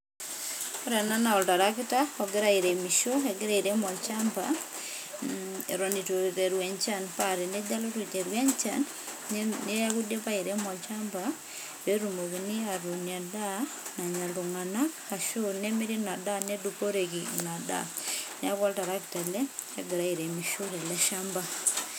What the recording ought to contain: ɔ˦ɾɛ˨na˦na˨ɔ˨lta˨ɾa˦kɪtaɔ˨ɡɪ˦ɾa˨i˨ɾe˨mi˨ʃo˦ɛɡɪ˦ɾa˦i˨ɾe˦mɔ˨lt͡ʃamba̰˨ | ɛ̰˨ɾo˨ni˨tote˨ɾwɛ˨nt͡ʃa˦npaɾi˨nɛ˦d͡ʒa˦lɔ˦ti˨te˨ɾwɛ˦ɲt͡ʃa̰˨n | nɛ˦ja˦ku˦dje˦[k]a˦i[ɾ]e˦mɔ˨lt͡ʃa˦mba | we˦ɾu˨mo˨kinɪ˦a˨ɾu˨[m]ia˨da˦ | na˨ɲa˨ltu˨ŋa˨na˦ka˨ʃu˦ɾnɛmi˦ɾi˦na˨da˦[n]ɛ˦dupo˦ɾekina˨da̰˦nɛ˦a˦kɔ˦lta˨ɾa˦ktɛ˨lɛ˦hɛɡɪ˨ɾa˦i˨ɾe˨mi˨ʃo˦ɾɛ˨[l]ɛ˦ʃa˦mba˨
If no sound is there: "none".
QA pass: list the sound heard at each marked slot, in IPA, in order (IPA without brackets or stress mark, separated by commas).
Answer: p, ɾ, n, n, l